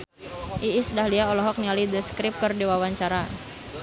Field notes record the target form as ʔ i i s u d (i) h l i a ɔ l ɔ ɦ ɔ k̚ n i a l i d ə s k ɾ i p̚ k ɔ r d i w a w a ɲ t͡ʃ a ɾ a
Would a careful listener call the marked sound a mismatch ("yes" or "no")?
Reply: yes